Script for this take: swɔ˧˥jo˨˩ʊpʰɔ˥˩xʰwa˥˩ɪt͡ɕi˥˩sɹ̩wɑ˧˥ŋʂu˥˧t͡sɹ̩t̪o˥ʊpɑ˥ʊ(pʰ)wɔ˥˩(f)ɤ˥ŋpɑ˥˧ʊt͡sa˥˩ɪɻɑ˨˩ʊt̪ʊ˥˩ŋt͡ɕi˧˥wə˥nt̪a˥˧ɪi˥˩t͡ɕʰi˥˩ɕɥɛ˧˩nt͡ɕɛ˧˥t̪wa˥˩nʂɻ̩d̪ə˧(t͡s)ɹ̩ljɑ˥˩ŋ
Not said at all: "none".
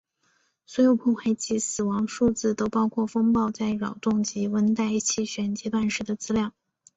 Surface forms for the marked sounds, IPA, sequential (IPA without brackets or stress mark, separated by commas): kʰ, f, t͡s